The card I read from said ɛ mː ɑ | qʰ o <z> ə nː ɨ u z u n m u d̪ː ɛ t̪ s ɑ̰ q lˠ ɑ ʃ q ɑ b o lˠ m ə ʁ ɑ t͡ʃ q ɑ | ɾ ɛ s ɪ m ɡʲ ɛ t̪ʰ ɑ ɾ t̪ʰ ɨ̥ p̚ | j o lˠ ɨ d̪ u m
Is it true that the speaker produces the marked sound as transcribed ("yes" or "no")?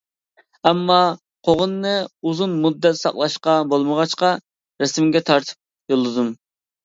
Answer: no